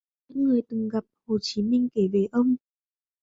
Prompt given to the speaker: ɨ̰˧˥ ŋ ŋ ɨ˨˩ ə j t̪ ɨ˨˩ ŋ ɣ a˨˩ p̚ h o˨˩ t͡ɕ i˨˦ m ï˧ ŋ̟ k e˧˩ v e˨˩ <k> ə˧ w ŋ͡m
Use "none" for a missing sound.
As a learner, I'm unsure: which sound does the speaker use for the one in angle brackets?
ʔ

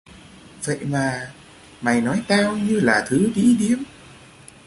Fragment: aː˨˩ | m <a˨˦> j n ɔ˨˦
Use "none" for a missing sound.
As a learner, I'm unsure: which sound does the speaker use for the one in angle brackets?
a˨˩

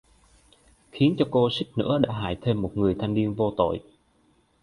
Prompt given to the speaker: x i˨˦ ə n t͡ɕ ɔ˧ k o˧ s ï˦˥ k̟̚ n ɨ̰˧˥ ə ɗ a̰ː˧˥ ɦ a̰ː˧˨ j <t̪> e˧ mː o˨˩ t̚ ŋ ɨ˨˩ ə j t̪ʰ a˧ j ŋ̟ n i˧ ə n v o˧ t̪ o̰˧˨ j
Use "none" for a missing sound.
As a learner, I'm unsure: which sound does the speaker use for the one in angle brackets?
t̪ʰ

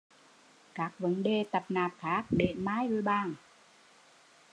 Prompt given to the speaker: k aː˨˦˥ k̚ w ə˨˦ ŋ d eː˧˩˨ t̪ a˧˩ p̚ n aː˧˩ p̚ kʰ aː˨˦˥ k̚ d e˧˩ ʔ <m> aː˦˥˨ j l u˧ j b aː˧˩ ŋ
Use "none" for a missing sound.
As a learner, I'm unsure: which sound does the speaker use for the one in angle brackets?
m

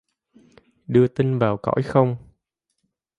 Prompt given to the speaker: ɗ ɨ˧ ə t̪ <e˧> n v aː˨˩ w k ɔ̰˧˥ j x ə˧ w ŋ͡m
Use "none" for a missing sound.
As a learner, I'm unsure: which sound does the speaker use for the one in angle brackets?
i˧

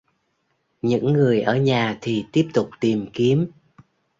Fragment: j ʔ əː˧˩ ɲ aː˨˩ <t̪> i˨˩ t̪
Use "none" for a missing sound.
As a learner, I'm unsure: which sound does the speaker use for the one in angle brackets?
t̪ʰ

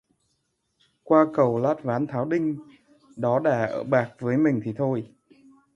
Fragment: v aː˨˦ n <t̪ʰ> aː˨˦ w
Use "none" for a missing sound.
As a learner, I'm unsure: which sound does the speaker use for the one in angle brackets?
t̪ʰ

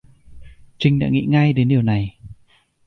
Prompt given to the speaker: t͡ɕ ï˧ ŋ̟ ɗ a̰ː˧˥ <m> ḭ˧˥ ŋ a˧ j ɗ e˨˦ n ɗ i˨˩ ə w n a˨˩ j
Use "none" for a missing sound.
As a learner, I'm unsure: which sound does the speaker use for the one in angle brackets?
ŋ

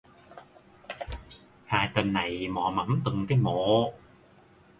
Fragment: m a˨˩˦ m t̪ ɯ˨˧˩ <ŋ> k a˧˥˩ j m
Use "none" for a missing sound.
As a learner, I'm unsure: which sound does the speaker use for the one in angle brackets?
ŋ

